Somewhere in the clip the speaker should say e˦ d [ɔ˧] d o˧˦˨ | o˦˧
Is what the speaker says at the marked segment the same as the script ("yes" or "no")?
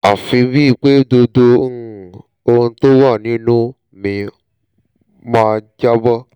no